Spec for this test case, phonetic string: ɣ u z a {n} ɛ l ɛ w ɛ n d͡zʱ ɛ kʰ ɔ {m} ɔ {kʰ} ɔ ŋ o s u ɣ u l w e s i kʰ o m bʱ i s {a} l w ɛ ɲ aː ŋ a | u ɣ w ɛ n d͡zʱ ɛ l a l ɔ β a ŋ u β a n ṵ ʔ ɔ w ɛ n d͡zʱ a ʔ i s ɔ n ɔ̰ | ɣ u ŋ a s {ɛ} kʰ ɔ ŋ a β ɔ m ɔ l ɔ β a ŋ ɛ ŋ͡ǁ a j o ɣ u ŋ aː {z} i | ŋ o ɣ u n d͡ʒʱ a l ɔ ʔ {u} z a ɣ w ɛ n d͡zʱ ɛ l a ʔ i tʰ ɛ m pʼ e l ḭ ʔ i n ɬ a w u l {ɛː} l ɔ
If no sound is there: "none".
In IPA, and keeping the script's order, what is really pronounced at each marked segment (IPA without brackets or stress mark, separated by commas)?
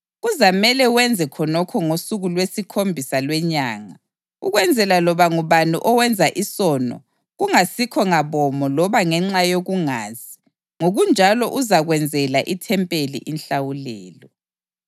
m, n, kʰ, a, i, z, u, ɛː